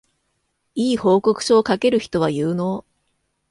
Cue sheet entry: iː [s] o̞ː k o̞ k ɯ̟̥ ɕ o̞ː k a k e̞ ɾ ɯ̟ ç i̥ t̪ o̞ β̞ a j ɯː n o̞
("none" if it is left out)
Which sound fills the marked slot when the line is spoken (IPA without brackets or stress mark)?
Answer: h